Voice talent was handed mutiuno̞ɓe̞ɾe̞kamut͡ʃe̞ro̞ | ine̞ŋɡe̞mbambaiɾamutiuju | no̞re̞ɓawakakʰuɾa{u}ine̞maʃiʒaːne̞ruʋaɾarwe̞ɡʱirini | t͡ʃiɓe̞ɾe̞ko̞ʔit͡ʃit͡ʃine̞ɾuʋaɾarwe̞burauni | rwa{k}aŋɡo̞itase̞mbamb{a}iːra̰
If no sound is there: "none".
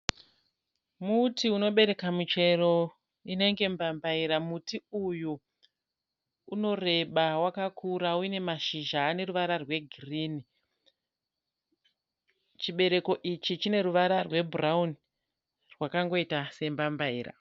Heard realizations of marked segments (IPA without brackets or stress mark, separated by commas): u, k, a